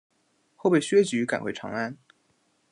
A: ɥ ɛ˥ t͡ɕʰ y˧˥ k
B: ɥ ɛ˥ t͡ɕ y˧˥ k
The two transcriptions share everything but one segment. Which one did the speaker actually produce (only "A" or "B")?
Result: B